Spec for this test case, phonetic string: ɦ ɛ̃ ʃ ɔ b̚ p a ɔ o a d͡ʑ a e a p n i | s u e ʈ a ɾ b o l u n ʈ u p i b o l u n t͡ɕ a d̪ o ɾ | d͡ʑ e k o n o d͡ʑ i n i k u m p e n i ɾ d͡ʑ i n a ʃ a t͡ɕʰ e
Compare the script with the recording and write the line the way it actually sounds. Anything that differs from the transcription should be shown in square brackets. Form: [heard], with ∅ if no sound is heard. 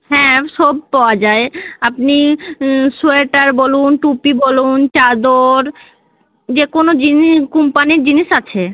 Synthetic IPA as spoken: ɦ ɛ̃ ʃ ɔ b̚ p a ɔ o a d͡ʑ a e a p n i | s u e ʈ a ɾ b o l u n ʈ u p i b o l u n t͡ɕ a d̪ o ɾ | d͡ʑ e k o n o d͡ʑ i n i k u m p [a] n i ɾ d͡ʑ i n [i] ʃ a t͡ɕʰ e